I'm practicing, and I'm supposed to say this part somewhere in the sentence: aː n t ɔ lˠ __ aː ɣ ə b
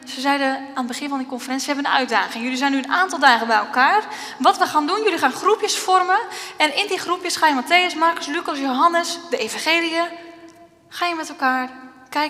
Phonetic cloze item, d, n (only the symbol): d